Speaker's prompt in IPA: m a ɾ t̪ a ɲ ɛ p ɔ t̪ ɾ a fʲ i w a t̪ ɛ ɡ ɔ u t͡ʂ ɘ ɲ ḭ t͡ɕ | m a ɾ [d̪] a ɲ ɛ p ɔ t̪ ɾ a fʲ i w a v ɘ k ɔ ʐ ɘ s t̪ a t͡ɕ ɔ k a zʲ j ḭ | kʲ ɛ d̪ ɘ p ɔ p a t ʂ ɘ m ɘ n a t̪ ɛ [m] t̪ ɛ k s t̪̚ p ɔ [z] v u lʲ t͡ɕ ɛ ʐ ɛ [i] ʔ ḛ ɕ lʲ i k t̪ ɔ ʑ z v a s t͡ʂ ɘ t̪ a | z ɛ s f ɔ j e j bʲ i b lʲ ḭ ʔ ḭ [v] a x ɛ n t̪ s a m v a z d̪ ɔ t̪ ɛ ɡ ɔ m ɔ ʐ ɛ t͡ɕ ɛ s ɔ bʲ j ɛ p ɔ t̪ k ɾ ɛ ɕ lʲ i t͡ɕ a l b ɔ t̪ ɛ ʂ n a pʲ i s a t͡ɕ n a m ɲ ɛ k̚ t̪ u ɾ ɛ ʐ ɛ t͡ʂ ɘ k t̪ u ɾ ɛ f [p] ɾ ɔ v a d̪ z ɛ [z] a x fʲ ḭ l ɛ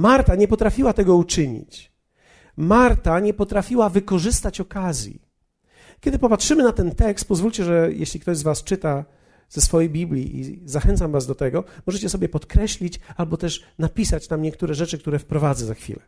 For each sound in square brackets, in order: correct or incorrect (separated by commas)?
incorrect, incorrect, correct, incorrect, incorrect, correct, correct